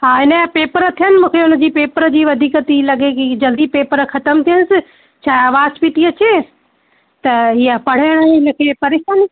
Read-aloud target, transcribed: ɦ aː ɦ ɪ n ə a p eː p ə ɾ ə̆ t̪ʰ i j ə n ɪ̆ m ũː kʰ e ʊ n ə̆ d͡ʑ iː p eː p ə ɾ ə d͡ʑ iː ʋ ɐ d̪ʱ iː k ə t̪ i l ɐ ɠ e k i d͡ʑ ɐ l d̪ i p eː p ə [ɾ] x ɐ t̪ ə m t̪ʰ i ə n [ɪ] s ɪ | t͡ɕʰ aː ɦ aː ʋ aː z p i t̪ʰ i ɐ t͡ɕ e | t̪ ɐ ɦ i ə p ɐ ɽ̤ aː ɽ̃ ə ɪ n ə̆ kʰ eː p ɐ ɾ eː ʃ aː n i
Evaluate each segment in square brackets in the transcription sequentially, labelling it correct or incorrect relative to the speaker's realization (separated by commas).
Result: correct, correct